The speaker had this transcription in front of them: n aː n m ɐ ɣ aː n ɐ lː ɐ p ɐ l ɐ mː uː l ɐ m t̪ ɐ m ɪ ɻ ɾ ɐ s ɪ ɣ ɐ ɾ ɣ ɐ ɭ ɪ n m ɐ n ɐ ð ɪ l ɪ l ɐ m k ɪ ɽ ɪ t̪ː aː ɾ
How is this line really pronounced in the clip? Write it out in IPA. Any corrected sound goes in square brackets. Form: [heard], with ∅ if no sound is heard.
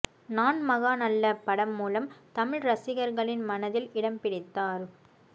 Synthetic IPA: n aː n m ɐ ɣ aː n ɐ lː ɐ p ɐ [ɽ] ɐ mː uː l ɐ m t̪ ɐ m ɪ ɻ ɾ ɐ s ɪ ɣ ɐ ɾ ɣ ɐ ɭ ɪ n m ɐ n ɐ ð ɪ l ɪ [ɽ] ɐ m [p] ɪ ɽ ɪ t̪ː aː ɾ